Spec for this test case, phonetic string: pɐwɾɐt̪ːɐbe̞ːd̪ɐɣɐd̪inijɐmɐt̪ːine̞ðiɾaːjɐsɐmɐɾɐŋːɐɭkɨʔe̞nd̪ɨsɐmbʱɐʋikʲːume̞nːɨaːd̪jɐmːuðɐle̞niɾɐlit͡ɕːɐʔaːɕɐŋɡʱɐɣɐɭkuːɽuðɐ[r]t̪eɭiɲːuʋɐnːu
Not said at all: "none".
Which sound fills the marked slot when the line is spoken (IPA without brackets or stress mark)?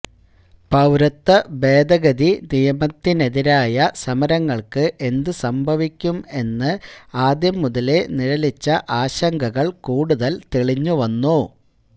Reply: l